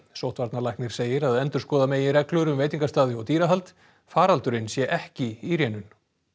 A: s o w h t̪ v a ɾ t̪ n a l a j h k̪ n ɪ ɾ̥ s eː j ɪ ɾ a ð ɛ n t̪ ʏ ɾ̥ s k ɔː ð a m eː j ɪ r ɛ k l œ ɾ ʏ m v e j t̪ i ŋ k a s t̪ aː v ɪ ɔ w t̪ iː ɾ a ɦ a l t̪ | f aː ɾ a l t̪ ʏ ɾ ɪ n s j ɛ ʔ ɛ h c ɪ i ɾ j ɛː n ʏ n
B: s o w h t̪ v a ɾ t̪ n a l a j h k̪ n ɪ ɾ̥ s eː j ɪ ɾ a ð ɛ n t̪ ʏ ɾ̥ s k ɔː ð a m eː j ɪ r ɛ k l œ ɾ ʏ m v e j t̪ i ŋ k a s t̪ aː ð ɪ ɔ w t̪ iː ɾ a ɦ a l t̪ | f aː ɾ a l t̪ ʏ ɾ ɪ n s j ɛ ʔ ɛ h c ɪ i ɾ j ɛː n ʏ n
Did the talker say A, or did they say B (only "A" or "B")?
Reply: B